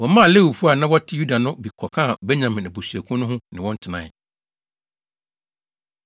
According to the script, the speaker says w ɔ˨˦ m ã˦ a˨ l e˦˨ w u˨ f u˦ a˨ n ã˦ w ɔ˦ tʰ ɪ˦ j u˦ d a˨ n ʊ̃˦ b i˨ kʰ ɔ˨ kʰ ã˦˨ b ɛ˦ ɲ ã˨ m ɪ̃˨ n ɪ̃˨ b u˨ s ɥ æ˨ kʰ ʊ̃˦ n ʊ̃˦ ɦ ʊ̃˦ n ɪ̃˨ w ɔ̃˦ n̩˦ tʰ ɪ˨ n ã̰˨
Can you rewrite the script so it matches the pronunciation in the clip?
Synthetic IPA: w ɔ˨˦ m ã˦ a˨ l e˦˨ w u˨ f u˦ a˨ n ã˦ w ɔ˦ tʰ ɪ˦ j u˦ d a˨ n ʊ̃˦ b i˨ kʰ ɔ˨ kʰ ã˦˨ b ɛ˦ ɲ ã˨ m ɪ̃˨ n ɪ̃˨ b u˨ s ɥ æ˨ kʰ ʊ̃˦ n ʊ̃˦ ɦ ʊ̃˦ n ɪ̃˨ w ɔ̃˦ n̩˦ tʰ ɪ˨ n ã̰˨